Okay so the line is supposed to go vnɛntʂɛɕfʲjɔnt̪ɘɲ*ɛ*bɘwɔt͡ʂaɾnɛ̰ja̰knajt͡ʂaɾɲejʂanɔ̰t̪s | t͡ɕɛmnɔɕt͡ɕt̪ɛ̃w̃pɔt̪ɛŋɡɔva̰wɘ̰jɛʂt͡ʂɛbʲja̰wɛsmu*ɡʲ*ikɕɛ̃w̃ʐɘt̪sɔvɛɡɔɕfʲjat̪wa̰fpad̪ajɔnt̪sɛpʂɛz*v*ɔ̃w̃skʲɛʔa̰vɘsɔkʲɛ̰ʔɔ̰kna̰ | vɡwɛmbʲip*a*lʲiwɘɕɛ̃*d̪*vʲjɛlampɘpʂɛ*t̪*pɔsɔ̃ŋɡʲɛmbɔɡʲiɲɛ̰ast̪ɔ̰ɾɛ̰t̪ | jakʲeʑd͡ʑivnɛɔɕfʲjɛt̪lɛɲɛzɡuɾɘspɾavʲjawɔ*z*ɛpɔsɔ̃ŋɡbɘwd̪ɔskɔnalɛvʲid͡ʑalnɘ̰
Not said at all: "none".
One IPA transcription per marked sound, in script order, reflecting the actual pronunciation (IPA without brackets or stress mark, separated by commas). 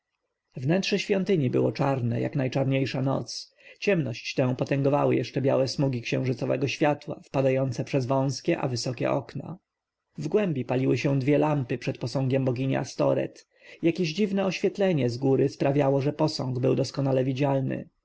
i, ɡʲ, v, a, d̪, t̪, ʐ